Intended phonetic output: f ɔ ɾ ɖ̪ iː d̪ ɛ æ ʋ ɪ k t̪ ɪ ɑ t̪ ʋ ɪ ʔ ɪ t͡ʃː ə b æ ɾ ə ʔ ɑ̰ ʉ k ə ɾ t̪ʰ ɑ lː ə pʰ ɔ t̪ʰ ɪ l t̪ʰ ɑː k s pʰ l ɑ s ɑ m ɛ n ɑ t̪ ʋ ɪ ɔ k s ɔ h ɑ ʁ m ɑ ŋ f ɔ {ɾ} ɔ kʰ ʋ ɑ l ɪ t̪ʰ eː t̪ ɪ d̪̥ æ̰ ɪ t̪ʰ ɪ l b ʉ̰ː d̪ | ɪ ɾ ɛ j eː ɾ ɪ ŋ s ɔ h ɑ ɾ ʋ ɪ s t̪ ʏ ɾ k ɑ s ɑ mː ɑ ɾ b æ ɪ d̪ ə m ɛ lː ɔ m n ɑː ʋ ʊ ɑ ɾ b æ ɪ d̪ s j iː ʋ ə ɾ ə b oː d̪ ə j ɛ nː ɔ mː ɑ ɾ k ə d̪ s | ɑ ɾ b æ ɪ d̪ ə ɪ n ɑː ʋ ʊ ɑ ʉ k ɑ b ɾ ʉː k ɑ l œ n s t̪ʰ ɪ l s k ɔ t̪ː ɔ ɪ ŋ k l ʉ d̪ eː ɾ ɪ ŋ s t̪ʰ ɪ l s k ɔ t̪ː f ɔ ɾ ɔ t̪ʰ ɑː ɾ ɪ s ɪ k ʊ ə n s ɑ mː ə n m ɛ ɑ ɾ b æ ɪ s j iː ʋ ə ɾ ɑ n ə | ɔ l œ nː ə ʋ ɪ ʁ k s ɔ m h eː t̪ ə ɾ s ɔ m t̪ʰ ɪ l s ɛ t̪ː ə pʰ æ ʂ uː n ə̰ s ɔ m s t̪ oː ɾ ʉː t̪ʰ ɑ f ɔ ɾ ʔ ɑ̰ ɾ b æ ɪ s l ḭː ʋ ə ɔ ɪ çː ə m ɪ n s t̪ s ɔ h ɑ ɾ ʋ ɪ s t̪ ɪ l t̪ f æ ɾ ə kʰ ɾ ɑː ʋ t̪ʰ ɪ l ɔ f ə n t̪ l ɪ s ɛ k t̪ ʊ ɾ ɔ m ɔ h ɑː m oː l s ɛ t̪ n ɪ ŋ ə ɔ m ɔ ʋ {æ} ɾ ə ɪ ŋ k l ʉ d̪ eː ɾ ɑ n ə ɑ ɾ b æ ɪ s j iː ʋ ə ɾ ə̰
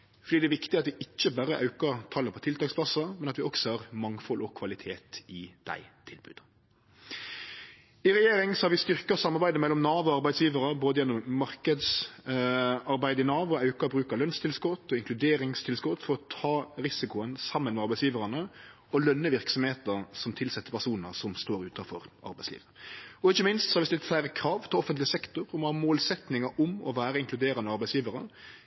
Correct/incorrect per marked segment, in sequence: incorrect: l, incorrect: æː

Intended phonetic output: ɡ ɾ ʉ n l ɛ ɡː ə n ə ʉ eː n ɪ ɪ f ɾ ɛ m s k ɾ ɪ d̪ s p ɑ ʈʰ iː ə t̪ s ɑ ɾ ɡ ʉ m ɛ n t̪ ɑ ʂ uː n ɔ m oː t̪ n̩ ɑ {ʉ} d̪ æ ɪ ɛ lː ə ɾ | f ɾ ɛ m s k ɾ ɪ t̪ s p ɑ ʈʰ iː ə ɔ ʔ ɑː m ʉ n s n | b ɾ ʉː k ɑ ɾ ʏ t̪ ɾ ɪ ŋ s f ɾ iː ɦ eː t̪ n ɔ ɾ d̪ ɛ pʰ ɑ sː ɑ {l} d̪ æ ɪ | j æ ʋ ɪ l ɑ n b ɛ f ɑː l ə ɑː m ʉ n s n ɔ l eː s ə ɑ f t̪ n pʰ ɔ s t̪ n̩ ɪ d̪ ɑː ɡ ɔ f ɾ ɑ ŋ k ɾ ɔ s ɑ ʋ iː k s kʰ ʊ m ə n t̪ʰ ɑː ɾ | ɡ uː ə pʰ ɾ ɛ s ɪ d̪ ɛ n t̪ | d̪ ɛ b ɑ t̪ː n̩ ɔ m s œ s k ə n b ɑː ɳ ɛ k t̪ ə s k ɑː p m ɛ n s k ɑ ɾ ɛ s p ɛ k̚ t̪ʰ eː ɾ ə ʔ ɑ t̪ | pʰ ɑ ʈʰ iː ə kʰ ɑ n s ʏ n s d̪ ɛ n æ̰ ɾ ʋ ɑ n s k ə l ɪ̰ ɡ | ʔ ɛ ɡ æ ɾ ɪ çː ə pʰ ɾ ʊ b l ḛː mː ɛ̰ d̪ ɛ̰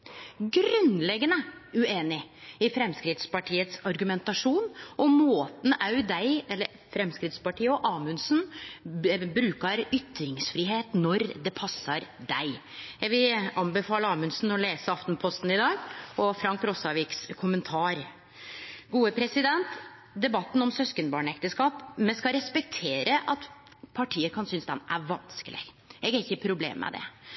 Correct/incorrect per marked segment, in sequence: correct, incorrect: ɾ

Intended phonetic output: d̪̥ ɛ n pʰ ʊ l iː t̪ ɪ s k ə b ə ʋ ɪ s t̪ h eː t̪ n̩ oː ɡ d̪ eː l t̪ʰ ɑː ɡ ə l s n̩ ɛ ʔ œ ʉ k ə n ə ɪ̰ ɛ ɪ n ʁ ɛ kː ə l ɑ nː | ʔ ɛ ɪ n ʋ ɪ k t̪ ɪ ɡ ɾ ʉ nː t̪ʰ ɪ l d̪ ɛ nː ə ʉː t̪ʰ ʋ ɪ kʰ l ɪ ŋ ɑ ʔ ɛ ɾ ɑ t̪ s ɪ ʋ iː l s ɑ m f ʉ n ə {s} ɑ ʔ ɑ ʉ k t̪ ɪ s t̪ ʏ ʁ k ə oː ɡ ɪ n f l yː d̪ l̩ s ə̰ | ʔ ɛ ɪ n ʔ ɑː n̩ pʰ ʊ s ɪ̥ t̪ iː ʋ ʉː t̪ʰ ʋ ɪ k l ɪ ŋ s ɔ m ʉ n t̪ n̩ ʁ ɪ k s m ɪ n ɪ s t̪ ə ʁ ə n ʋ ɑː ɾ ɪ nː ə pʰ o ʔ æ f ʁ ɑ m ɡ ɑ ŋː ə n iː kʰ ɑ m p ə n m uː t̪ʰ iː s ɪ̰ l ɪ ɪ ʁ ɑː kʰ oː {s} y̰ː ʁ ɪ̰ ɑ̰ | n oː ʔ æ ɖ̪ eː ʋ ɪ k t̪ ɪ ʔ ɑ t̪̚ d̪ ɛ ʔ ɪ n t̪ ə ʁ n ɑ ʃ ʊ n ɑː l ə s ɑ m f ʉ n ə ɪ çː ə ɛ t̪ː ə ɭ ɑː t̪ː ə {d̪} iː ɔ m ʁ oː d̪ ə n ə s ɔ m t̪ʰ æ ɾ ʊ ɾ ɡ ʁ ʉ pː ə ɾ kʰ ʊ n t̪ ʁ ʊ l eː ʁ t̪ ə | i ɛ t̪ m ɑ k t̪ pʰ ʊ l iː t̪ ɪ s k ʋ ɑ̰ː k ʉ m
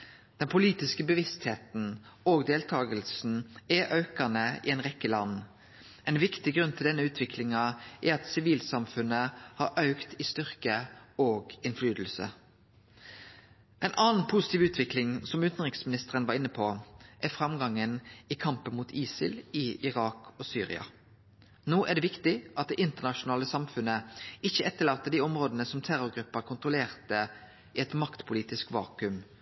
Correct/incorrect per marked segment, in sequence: incorrect: h, correct, correct

